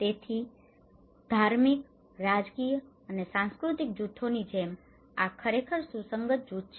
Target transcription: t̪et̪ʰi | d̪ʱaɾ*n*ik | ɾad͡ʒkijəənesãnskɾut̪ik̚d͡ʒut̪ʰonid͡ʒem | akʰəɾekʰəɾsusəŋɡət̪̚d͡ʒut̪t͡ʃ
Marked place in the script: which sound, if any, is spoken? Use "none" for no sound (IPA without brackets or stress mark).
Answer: m